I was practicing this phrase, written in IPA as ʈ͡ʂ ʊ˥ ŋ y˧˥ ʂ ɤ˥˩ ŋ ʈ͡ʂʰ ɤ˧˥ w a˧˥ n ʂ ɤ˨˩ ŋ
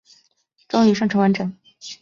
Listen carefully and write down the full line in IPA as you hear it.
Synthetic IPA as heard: ʈ͡ʂ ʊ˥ ŋ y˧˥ ʂ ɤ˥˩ ŋ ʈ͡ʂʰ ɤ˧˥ w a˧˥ n ʈ͡ʂ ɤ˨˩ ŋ